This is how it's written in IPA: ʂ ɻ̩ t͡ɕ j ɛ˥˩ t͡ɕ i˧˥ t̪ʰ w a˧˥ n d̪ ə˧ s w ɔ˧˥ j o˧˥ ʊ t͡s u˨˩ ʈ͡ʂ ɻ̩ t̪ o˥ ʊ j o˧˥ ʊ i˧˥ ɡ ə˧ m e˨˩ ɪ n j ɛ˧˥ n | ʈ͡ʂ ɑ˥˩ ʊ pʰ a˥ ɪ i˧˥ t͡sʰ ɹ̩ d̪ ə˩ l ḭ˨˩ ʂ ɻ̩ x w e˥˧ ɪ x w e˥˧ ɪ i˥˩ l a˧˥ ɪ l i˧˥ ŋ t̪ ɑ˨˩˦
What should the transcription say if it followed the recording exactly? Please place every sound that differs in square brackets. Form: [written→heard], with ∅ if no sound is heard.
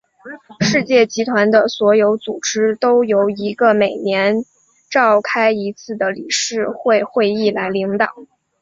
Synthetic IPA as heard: ʂ ɻ̩ t͡ɕ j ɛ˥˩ t͡ɕ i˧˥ t̪ʰ w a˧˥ n d̪ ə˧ s w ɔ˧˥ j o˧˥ ʊ t͡s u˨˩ ʈ͡ʂ ɻ̩ t̪ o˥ ʊ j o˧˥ ʊ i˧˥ ɡ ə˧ m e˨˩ ɪ n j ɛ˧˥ n | ʈ͡ʂ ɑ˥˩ ʊ [pʰ→kʰ] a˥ ɪ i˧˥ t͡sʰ ɹ̩ d̪ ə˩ l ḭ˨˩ ʂ ɻ̩ x w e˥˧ ɪ x w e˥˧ ɪ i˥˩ l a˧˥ ɪ l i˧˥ ŋ t̪ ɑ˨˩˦